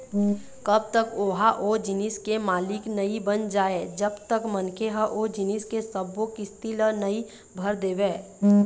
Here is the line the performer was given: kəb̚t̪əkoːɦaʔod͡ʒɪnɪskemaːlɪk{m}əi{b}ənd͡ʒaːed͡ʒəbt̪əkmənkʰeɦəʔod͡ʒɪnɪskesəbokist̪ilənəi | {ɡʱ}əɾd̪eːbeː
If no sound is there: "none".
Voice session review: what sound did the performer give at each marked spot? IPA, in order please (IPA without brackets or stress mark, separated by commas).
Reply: n, b, bʱ